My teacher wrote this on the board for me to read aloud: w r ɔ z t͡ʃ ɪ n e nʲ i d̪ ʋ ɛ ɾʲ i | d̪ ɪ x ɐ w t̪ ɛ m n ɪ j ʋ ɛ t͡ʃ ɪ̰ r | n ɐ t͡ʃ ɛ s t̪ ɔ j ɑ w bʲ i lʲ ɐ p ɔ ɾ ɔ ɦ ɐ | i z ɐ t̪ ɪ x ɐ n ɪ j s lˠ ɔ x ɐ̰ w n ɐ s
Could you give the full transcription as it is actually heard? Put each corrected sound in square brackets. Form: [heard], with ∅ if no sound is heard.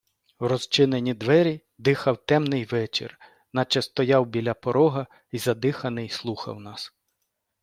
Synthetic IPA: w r ɔ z t͡ʃ ɪ n e nʲ i d̪ ʋ ɛ ɾʲ i | d̪ ɪ x ɐ w t̪ ɛ m n ɪ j ʋ ɛ t͡ʃ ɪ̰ r | n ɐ t͡ʃ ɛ s t̪ ɔ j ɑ w bʲ i lʲ ɐ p ɔ ɾ ɔ ɦ ɐ | i z ɐ [d̪] ɪ x ɐ n ɪ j s lˠ [u] x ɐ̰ w n [ɑ] s